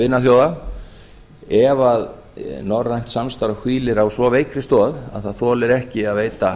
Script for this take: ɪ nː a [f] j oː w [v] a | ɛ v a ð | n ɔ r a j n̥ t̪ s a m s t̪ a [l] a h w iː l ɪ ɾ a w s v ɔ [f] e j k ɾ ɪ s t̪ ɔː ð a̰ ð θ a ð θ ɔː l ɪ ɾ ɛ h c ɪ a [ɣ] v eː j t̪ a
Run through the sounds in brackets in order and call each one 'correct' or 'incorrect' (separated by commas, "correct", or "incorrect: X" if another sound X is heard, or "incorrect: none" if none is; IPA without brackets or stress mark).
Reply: incorrect: θ, incorrect: ð, incorrect: ɾ, incorrect: v, incorrect: ð